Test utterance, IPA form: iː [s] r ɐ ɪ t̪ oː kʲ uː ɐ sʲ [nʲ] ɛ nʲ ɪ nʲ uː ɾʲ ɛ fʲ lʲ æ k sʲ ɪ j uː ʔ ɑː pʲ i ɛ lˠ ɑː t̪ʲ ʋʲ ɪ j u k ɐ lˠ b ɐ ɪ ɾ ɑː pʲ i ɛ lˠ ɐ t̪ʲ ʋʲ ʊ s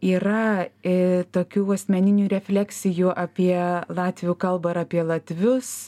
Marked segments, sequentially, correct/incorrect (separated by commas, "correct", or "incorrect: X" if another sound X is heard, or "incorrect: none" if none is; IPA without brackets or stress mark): incorrect: none, incorrect: mʲ